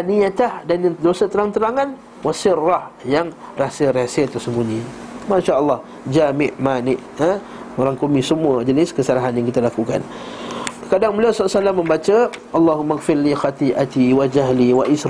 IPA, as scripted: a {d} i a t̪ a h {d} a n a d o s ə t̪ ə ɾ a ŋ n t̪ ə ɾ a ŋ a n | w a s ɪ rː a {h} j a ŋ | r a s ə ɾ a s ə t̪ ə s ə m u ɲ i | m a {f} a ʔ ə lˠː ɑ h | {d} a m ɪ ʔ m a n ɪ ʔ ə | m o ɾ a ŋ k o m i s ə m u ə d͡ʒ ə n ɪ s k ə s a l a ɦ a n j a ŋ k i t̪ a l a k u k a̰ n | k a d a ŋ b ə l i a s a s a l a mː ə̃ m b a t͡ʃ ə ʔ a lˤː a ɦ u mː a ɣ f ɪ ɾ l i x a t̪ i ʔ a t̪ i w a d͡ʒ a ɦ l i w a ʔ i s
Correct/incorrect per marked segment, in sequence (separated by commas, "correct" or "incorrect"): incorrect, correct, correct, incorrect, incorrect